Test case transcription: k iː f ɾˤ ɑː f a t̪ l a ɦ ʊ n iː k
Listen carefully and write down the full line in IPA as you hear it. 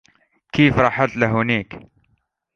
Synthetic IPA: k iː f ɾˤ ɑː ħ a t̪ l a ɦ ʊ n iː k